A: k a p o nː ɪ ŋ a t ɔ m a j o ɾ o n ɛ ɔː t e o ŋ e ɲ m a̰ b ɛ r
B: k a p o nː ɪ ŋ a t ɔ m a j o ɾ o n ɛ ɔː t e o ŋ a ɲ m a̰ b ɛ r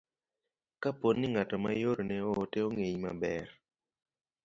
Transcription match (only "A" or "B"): A